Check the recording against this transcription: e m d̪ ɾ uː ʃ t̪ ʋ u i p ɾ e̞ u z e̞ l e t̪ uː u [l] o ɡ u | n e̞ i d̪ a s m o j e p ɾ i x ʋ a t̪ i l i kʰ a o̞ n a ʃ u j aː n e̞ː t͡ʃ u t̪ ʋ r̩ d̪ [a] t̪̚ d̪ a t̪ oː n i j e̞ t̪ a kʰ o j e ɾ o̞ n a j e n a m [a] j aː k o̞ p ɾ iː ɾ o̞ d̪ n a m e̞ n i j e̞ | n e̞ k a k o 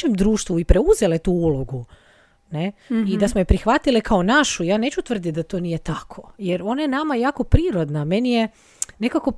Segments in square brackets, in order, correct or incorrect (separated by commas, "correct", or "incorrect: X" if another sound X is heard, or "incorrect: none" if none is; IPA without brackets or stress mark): correct, incorrect: i, correct